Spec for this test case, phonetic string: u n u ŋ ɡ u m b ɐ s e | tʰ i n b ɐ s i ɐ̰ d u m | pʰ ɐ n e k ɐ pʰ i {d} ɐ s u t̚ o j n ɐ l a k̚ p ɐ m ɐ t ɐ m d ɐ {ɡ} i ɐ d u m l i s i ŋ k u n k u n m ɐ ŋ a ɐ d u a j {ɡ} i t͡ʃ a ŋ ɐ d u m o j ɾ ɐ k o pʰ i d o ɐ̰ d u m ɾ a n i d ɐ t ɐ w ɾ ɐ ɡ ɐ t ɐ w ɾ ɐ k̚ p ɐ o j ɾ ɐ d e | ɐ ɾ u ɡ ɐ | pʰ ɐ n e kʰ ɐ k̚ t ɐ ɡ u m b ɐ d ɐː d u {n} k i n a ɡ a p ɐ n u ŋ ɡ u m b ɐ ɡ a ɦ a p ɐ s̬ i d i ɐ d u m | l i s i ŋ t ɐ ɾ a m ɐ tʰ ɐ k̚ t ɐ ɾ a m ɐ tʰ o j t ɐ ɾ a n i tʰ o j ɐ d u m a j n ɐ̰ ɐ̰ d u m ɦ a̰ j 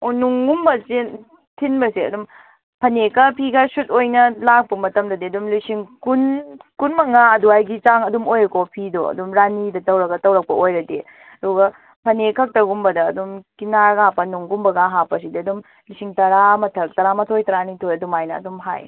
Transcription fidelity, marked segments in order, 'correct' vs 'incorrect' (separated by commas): incorrect, incorrect, correct, incorrect